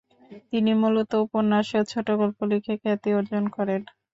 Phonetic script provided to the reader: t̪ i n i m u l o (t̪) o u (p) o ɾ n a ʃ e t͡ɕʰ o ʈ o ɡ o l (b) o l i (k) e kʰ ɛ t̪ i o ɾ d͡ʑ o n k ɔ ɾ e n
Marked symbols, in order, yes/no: yes, yes, no, no

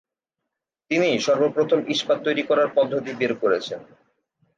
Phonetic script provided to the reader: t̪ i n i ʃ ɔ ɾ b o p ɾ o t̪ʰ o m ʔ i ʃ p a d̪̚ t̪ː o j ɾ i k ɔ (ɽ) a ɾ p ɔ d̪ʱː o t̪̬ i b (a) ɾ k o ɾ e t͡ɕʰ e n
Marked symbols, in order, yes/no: no, no

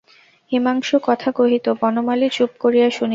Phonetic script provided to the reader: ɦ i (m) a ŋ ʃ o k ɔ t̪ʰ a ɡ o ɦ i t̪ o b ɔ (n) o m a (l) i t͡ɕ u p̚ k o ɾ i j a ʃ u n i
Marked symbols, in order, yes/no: yes, yes, yes

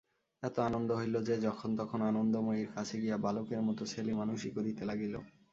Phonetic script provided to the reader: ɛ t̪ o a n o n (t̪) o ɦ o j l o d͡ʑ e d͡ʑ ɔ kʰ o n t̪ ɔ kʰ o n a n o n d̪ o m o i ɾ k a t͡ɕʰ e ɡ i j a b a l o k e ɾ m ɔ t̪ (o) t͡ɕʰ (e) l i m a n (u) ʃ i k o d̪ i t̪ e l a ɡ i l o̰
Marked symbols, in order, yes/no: no, yes, yes, yes

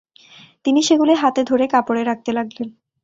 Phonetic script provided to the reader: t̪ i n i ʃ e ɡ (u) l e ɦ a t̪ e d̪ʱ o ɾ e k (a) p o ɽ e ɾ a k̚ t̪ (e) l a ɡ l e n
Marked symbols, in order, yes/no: yes, yes, yes

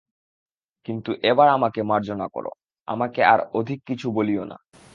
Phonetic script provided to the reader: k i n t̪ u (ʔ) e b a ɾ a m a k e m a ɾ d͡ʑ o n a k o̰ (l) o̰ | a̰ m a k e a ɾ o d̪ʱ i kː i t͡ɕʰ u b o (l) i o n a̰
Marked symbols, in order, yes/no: yes, no, yes

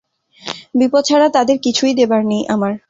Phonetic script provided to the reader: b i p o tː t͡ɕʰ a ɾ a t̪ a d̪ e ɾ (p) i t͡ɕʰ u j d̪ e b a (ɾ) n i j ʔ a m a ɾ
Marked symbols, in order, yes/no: no, yes

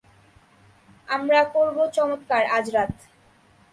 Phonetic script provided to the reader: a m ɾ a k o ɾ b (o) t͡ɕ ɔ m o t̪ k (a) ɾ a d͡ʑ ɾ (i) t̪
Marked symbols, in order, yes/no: yes, yes, no

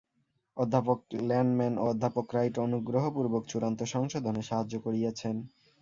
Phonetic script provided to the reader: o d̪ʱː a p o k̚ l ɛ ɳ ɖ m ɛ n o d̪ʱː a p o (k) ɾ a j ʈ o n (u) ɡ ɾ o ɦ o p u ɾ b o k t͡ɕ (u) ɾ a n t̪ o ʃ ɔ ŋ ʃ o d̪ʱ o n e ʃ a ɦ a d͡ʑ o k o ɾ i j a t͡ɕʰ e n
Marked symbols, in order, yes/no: yes, yes, yes

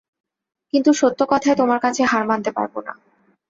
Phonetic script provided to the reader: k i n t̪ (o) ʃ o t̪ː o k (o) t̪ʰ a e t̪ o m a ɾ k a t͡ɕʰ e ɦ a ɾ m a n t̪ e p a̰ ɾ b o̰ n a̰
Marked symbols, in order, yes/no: no, no

